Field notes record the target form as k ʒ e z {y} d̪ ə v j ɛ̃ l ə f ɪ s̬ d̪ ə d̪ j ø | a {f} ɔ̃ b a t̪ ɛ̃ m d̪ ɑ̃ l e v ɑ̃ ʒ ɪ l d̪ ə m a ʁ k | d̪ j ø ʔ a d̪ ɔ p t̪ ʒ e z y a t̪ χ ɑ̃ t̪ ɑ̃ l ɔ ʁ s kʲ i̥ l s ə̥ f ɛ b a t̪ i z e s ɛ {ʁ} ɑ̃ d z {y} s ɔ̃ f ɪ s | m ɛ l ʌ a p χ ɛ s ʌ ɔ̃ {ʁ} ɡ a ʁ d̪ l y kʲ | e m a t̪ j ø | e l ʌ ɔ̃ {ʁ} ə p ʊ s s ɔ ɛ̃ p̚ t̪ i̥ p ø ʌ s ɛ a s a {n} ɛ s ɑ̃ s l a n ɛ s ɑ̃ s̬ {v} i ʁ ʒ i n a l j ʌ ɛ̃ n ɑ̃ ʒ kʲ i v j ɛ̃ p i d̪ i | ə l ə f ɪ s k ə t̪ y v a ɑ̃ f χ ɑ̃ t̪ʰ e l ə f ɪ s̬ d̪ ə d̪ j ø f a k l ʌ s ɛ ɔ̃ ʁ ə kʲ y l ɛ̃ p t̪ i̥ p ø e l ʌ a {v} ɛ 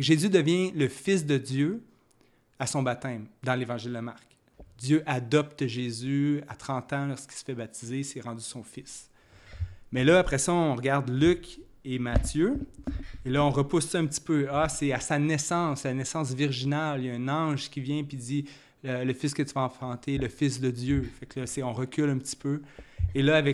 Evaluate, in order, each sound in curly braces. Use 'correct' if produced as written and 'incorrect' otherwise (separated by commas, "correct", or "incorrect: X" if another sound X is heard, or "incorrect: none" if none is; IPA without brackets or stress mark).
correct, incorrect: s, correct, correct, correct, correct, correct, correct, correct